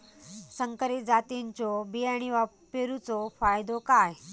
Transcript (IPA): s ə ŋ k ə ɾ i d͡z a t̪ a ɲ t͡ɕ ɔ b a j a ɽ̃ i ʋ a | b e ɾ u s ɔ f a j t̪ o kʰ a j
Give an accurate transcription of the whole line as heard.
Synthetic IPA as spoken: s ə ŋ k ə ɾ i d͡z a t̪ i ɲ t͡ɕ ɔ b i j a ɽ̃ i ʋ a | p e ɾ u t͡s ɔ f a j d̪ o k a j